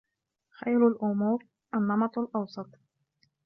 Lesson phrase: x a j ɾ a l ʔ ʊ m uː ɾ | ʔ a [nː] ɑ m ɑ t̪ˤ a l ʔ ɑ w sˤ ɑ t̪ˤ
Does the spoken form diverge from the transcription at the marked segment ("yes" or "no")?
no